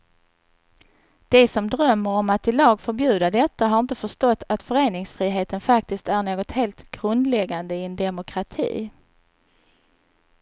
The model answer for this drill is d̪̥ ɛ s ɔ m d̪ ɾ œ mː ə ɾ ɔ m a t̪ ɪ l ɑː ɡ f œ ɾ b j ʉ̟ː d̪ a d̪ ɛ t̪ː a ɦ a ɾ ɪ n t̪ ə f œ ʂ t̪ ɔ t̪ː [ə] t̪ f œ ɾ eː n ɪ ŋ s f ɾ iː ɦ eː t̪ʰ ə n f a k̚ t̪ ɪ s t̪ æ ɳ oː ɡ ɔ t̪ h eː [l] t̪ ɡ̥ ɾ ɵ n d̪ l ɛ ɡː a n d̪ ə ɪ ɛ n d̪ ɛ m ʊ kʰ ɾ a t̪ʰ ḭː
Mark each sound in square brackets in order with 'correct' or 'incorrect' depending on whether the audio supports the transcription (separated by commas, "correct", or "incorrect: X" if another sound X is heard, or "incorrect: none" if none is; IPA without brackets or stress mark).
incorrect: a, correct